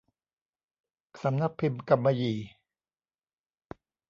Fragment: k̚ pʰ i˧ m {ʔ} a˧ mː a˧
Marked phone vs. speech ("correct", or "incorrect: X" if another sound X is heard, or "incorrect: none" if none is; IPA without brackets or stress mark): incorrect: k